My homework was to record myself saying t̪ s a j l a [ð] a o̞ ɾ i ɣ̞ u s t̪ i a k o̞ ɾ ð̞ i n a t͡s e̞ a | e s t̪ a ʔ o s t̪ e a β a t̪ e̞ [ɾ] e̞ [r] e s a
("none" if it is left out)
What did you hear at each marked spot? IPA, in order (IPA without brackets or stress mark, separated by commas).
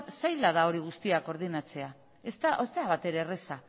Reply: ð, ɾ, r